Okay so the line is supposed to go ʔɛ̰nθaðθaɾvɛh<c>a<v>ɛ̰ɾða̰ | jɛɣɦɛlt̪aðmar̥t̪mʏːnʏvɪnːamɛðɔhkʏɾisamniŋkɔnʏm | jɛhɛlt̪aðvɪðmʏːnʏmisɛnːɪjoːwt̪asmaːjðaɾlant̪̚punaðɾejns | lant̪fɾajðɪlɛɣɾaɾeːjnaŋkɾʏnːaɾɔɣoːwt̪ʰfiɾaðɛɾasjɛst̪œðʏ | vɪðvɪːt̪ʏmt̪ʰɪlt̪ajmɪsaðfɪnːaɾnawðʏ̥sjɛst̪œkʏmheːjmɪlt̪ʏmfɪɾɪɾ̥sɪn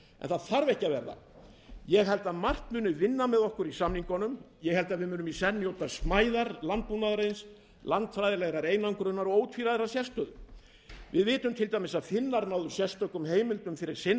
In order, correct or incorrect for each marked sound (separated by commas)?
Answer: correct, correct